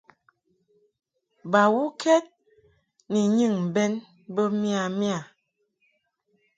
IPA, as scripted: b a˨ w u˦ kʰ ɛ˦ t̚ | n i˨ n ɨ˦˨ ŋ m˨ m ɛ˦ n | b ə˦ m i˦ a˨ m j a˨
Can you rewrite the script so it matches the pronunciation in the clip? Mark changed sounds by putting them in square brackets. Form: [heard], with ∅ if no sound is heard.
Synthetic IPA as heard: b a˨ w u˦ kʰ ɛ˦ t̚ | n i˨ [ɲ] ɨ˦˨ ŋ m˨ [b] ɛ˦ n | b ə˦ m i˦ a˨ m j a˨